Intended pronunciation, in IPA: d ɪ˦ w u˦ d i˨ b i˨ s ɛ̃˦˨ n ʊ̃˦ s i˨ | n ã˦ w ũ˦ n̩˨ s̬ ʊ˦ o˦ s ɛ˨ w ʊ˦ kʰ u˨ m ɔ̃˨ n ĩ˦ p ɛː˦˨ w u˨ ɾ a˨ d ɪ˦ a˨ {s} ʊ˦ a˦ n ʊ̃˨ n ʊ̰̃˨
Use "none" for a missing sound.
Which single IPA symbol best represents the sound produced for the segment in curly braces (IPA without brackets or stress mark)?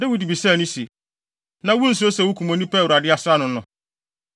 s